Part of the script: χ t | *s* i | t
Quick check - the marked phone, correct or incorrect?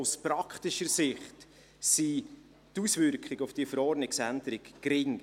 correct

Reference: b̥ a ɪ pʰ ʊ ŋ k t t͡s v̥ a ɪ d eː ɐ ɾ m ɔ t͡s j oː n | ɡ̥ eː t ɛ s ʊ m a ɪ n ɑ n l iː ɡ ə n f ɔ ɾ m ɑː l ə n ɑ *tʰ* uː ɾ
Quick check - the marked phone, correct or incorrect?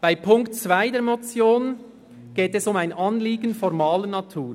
correct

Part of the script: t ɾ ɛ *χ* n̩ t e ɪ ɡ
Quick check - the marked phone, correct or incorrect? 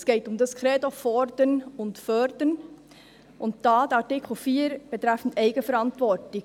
incorrect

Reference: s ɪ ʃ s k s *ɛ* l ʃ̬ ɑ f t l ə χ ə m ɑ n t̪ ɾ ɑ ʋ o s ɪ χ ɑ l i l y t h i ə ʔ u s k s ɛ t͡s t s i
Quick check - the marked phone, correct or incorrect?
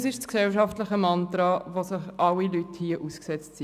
correct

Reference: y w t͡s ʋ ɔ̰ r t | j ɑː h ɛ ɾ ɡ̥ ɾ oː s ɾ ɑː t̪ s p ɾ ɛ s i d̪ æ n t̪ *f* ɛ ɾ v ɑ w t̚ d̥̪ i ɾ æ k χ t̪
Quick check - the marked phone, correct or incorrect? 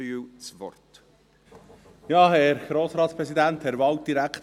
incorrect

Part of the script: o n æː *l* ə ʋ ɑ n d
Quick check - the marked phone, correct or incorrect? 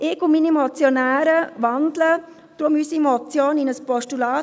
incorrect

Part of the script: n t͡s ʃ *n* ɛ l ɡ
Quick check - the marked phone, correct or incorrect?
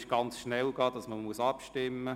correct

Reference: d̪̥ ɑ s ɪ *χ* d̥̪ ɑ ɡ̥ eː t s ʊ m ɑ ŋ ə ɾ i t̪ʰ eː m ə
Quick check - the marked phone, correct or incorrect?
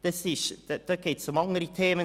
incorrect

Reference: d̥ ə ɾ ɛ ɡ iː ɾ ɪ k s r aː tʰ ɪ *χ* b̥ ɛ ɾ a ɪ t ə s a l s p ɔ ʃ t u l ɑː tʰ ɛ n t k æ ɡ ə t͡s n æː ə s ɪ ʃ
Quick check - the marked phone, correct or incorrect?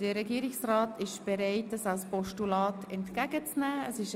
incorrect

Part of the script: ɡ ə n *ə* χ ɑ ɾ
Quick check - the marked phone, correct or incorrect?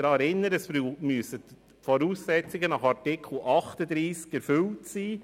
incorrect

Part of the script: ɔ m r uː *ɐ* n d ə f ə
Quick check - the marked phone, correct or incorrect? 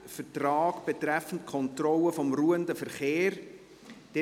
incorrect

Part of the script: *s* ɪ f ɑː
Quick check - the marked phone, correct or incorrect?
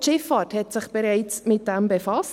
incorrect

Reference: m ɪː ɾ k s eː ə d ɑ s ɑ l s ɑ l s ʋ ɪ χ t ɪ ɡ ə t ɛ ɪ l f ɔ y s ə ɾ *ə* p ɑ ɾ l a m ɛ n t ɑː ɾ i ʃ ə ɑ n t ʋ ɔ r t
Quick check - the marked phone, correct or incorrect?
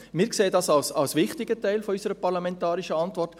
correct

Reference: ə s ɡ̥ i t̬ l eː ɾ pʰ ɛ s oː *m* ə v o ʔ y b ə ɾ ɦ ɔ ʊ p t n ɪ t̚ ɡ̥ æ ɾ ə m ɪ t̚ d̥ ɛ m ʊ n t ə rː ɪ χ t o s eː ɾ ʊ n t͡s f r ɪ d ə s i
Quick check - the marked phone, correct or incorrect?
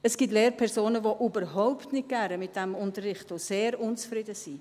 incorrect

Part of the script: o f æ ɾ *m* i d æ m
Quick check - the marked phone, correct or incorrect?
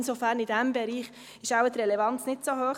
incorrect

